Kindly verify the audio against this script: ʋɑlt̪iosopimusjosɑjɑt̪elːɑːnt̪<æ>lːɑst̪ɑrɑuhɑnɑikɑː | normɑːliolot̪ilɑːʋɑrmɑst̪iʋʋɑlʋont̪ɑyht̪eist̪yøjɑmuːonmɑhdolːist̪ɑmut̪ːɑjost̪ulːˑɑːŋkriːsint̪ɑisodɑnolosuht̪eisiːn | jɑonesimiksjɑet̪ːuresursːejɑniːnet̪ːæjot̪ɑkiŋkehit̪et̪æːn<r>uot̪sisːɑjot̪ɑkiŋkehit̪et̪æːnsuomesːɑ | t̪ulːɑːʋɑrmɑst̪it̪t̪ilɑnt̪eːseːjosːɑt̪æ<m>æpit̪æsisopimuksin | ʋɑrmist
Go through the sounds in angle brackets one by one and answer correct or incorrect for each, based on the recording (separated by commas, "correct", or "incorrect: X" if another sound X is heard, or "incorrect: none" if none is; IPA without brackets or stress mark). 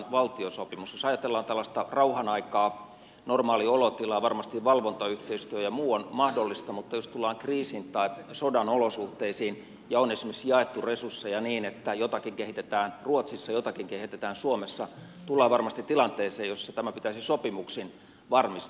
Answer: correct, correct, correct